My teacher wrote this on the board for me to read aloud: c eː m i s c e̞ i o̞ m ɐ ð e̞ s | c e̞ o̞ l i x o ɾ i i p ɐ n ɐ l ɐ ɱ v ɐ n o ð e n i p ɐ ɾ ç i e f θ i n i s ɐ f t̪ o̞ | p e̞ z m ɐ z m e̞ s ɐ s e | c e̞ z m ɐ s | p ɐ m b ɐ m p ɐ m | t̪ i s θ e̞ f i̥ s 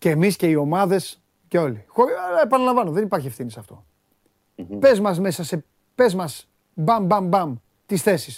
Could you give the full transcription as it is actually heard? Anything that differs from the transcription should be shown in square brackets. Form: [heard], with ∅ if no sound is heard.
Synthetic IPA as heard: c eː m i s c e̞ i o̞ m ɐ ð e̞ s | c e̞ o̞ l i x o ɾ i [e] p ɐ n ɐ l ɐ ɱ v ɐ n o ð e n i p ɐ ɾ ç i e f θ i n i s ɐ f t̪ o̞ | p e̞ z m ɐ z m e̞ s ɐ s e | [p] e̞ z m ɐ s | [b] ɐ m b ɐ m [b] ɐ m | t̪ i s θ e̞ [s] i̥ s